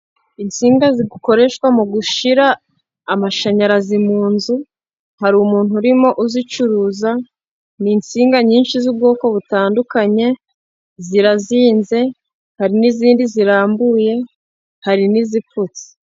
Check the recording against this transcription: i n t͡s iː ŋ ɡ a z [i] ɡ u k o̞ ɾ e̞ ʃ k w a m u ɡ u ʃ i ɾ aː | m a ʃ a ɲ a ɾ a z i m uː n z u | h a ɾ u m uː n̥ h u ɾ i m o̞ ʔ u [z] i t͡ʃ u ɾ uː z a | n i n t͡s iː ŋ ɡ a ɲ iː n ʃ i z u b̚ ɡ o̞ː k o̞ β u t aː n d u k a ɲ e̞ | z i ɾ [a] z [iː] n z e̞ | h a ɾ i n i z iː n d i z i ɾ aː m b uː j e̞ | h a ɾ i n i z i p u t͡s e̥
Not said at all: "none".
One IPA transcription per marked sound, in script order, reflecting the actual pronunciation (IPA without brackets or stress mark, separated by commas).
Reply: i, z, a, iː